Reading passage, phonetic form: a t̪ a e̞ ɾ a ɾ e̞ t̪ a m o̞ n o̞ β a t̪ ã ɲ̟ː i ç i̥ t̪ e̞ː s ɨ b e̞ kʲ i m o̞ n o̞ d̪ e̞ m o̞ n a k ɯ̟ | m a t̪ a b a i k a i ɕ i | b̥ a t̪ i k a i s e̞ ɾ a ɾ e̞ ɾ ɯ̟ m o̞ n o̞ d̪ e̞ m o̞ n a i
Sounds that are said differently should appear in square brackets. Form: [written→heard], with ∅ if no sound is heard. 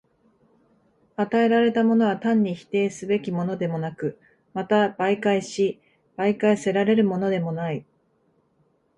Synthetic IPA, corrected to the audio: a t̪ a e̞ ɾ a ɾ e̞ t̪ a m o̞ n o̞ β a t̪ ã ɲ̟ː i ç i̥ t̪ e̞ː s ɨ b e̞ kʲ i m o̞ n o̞ d̪ e̞ m o̞ n a k ɯ̟ | m a t̪ a b a i k a i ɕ i | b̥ a [t̪→∅] i k a i s e̞ ɾ a ɾ e̞ ɾ ɯ̟ m o̞ n o̞ d̪ e̞ m o̞ n a i